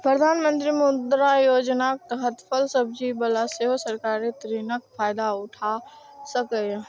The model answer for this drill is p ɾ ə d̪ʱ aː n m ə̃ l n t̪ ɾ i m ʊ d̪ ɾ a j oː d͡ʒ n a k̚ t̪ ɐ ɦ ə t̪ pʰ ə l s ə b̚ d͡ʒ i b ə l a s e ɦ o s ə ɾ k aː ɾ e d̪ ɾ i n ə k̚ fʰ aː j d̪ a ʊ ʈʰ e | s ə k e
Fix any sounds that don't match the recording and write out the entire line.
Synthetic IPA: p ɾ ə d̪ʱ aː n m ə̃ n t̪ ɾ i m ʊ d̪ ɾ a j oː d͡ʒ n a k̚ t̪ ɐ ɦ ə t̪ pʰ ə l s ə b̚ d͡ʒ i b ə l a s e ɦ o s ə ɾ k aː ɾ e t̪ ɾ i n ə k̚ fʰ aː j d̪ a ʊ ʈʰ a | s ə k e